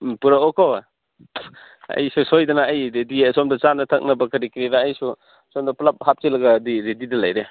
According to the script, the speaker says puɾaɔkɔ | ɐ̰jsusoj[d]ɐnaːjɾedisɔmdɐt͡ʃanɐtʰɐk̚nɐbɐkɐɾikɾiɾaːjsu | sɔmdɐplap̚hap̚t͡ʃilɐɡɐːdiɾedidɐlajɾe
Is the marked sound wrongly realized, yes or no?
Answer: no